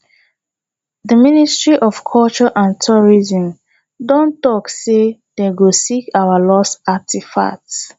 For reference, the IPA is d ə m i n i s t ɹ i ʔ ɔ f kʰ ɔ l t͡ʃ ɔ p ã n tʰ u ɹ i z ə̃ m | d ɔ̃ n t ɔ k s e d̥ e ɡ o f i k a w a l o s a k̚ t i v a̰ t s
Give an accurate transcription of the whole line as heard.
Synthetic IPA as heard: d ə m i n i s t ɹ i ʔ ɔ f kʰ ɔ l t͡ʃ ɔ ʔ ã n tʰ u ɹ i z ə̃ m | d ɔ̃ n t ɔ k s e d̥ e ɡ o s i k a w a l ɔ s a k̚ t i f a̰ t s